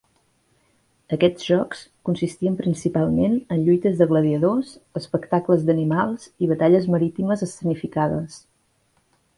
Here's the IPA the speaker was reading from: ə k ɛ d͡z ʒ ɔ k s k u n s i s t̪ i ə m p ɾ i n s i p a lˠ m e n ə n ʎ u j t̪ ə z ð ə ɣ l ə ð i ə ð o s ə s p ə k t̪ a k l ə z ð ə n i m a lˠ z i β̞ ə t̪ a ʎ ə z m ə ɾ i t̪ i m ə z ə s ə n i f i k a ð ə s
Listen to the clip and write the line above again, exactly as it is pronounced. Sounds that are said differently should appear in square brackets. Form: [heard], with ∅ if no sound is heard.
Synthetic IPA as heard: ə k ɛ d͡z ʒ ɔ k s k u n s i s t̪ i ə m p ɾ i n s i p a lˠ m e n ə n ʎ u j t̪ ə z ð ə ɣ l ə ð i ə ð o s ə s p ə k t̪ a k l ə z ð ə n i m a lˠ z i β̞ ə t̪ a ʎ ə z m ə ɾ i t̪ i m ə z ə s ə n i f i k a ð ə s

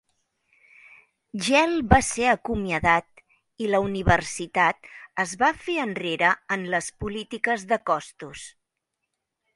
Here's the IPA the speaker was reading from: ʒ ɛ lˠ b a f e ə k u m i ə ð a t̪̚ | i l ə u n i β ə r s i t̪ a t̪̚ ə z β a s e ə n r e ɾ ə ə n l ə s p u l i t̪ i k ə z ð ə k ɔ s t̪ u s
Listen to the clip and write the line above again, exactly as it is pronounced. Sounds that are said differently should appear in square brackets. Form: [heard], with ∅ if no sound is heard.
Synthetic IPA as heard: ʒ ɛ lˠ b a [s] e ə k u m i ə ð a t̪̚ | i l ə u n i β ə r s i t̪ a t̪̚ ə z β a [f] e ə n r e ɾ ə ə n l ə s p u l i t̪ i k ə z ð ə k ɔ s t̪ u s

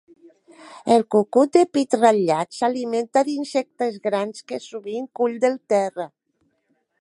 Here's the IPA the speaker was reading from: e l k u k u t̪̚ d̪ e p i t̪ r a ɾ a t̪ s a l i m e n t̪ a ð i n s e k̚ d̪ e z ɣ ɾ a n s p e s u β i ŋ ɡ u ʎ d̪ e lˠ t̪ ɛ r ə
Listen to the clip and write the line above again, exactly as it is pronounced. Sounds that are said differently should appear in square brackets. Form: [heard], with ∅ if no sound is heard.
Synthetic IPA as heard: e l k u k u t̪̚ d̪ e p i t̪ r a [ʎ] a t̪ s a l i m e n t̪ a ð i n s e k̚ [t̪] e z ɣ ɾ a n s [k] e s u β i ŋ [k] u ʎ d̪ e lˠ t̪ ɛ r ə

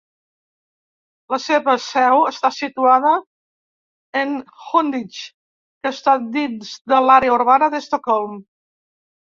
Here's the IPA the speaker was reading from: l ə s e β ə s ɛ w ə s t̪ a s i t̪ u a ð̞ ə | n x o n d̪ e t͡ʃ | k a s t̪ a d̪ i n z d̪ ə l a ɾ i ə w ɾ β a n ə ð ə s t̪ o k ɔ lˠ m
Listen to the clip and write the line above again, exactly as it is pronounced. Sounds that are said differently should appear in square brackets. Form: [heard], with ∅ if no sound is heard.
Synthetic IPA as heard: l ə s e β ə s ɛ w ə s t̪ a s i t̪ u a ð̞ ə | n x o n d̪ [i] t͡ʃ | k [ə] s t̪ a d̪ i n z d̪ ə l a ɾ [e] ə [u] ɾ β a n ə ð ə s t̪ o k ɔ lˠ m

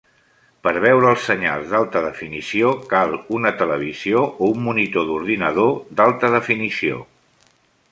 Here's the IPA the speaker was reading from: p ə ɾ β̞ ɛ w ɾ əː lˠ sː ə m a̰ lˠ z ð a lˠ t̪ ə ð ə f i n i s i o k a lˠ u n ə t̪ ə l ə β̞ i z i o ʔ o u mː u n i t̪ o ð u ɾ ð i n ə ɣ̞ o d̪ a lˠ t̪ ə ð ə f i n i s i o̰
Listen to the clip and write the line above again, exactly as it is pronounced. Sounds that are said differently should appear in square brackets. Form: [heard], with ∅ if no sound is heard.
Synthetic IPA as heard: p ə ɾ β̞ ɛ w ɾ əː lˠ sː ə [ɲ] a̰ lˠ z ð a lˠ t̪ ə ð ə f i n i s i o k a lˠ u n ə t̪ ə l ə β̞ i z i o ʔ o u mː u n i t̪ o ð u ɾ ð i n ə [ð̞] o d̪ a lˠ t̪ ə ð ə f i n i s i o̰

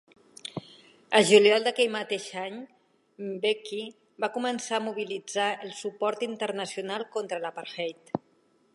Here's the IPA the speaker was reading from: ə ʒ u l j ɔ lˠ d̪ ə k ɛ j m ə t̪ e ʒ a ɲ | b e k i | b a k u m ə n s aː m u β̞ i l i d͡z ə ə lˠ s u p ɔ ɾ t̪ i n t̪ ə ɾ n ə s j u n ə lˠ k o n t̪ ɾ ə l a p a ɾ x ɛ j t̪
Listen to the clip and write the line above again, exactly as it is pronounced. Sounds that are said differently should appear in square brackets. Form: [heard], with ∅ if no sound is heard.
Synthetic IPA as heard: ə ʒ u l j ɔ lˠ d̪ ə k ɛ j m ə t̪ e [ʃ] a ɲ | b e k i | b a k u m ə n s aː m u β̞ i l i d͡z [a] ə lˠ s u p ɔ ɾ t̪ i n t̪ ə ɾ n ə s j u n [a] lˠ k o n t̪ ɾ ə l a p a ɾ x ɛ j t̪

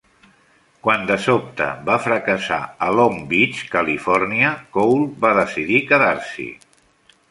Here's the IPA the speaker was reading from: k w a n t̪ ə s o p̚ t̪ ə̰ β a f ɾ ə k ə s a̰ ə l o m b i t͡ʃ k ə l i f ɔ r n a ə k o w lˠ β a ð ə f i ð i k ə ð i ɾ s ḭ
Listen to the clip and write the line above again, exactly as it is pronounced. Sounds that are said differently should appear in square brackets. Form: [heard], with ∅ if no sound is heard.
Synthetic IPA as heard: k w a n [d̪] ə s o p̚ t̪ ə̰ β a f ɾ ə k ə s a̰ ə l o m b i t͡ʃ k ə l i f ɔ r n [i] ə k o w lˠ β a ð ə [s] i ð i k ə ð [a] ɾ s ḭ

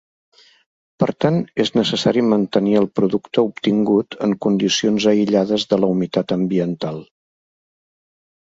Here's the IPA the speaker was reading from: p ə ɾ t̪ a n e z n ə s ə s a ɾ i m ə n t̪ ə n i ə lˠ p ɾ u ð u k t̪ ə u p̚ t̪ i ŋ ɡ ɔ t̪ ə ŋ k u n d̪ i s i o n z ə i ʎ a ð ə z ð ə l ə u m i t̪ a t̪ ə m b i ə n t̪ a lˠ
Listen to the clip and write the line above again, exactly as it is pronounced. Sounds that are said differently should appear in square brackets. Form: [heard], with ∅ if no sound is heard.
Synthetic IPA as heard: p ə ɾ t̪ a n e z n ə s ə s a ɾ i m ə n t̪ ə n i ə lˠ p ɾ u ð u k t̪ ə u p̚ t̪ i ŋ ɡ [u] t̪ ə ŋ k u n d̪ i s i o n z ə i ʎ a ð ə z ð ə l ə u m i t̪ a t̪ ə m b i ə n t̪ a lˠ

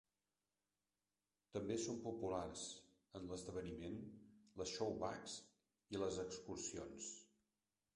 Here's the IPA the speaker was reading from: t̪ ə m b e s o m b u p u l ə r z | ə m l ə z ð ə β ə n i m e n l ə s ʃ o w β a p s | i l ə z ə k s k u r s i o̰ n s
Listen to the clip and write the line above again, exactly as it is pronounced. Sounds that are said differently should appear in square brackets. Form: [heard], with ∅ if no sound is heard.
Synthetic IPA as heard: t̪ ə m b e s o m [p] u p u l [a] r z | ə [n] l ə z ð ə β ə n i m e n l ə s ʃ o w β a [k] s | i l ə z ə k s k u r s i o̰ n s

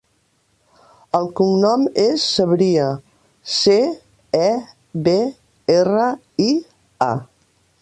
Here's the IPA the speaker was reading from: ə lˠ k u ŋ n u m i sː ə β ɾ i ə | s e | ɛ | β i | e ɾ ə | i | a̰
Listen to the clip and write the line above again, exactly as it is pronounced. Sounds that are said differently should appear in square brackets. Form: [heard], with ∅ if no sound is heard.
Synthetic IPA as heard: ə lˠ k u ŋ n [ɔ] m [e] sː ə β ɾ i ə | s e | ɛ | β [e] | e [r] ə | i | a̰

